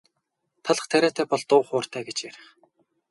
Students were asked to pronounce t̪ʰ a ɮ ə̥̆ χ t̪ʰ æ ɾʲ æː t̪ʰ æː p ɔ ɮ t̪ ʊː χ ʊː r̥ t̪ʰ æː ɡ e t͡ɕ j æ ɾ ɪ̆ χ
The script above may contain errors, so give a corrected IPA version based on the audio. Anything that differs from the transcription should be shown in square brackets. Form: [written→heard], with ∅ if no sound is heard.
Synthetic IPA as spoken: t̪ʰ a ɮ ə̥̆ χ t̪ʰ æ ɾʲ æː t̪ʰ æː p ɔ ɮ t̪ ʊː χ ʊː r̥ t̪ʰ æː ɡ e t͡ɕ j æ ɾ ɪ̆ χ